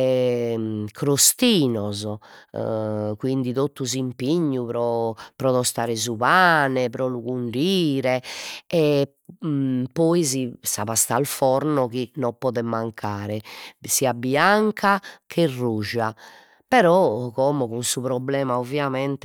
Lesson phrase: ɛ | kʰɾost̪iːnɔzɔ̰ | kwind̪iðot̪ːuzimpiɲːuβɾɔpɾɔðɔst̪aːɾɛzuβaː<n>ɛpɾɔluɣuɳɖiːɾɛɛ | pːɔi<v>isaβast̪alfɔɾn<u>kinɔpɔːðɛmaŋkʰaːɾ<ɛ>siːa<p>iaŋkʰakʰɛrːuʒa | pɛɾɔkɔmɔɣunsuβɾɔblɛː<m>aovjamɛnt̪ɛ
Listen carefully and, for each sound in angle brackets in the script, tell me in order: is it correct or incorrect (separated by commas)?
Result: correct, incorrect, incorrect, correct, incorrect, correct